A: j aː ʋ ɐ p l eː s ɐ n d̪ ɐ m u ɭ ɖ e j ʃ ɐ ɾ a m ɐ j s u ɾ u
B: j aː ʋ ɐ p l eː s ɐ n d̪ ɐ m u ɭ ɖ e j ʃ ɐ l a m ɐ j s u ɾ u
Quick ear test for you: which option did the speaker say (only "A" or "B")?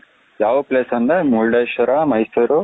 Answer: A